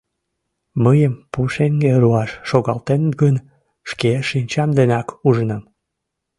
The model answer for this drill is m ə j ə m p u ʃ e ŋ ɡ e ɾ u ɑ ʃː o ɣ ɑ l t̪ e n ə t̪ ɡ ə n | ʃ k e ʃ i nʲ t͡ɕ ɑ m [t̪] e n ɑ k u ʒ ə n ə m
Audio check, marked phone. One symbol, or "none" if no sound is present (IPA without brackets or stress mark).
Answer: d̪